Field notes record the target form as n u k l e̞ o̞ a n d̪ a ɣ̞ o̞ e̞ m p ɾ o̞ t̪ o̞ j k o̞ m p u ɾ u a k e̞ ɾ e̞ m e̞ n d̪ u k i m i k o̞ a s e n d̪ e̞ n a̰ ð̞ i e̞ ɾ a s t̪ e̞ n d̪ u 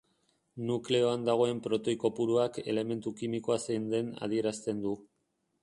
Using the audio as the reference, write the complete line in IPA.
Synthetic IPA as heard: n u k l e̞ o̞ a n d̪ a ɣ̞ o̞ e̞ m p ɾ o̞ t̪ o̞ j k o̞ p u ɾ u a k e̞ l e̞ m e̞ n t̪ u k i m i k o̞ a s e n d̪ e̞ n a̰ ð̞ i e̞ ɾ a s t̪ e̞ n d̪ u